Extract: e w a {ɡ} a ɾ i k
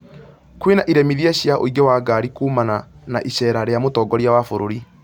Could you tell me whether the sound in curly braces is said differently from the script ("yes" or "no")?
no